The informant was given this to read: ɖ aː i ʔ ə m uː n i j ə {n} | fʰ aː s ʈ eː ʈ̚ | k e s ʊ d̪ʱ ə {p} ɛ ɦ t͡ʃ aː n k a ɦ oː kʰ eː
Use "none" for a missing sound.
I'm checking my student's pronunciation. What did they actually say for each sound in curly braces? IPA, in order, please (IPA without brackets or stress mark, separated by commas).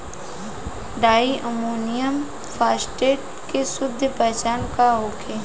m, p